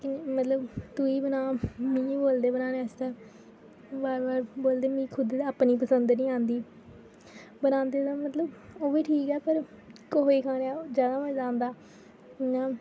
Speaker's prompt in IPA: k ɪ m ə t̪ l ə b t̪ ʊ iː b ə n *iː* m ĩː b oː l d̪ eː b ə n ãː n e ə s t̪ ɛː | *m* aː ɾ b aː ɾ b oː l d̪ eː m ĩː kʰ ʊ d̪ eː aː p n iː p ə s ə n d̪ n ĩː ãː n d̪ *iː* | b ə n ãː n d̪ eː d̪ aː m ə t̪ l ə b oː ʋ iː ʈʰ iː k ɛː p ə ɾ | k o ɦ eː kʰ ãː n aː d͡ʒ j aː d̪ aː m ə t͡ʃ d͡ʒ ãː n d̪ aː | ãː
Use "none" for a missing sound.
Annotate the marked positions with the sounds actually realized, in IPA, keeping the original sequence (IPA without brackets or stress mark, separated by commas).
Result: aː, b, iː